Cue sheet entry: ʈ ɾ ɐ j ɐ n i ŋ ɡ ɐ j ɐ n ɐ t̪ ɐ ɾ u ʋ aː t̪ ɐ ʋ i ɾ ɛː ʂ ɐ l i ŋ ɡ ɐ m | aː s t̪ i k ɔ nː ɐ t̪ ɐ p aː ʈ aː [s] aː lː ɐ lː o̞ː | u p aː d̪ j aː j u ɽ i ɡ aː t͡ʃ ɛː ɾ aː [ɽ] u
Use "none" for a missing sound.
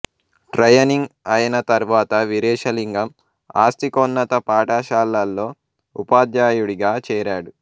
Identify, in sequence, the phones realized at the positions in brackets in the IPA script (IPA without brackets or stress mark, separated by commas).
ʃ, ɽ